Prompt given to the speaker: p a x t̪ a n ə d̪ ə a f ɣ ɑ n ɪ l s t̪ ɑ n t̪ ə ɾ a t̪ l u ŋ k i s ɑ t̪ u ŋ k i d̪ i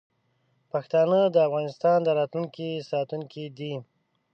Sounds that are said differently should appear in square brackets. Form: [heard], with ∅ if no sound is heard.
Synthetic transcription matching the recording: p a x t̪ [ɑ] n ə d̪ ə a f ɣ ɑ n ɪ [∅] s t̪ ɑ n [d̪] ə ɾ [ɑ] t̪ l u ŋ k i s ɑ t̪ u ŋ k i d̪ i